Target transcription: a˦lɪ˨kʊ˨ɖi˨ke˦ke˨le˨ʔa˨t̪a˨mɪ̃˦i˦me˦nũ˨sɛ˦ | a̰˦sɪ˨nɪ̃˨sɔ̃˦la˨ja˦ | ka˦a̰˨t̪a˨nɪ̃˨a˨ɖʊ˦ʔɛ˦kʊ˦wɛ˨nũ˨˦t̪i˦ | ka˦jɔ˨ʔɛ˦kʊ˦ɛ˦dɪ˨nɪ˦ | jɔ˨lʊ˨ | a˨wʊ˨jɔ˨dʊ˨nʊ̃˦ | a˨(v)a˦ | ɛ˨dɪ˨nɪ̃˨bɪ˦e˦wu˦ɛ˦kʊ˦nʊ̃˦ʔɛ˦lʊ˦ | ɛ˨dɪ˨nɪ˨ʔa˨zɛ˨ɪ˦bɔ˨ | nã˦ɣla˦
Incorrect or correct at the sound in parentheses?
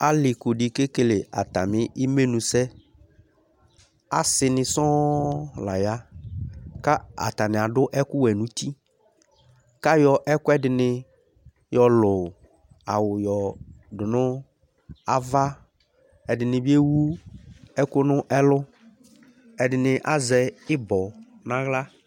correct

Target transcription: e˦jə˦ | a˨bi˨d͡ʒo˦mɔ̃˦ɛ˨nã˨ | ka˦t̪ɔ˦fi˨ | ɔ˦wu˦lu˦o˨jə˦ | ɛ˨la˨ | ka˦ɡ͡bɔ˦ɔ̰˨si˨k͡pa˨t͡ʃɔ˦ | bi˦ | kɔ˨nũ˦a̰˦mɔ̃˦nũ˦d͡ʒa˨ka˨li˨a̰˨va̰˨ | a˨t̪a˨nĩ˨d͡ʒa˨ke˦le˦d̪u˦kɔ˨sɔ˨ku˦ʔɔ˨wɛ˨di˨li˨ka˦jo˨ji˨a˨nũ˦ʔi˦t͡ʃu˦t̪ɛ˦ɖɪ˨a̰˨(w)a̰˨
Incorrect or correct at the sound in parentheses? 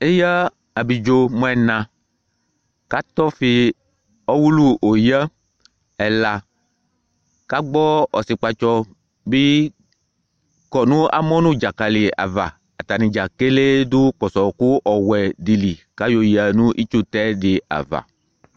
incorrect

